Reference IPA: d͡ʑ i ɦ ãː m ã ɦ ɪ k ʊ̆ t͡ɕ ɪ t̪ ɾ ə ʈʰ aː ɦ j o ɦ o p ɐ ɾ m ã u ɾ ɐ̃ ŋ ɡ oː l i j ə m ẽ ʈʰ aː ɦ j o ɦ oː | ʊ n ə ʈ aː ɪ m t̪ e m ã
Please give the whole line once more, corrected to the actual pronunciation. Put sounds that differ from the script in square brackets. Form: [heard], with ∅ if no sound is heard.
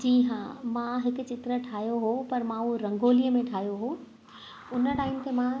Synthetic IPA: d͡ʑ [iː] ɦ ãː m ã ɦ ɪ k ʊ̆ t͡ɕ ɪ t̪ ɾ ə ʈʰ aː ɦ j o ɦ o p ɐ ɾ m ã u ɾ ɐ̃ ŋ ɡ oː l i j ə m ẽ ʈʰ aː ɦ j o ɦ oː | ʊ n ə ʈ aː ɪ m t̪ e m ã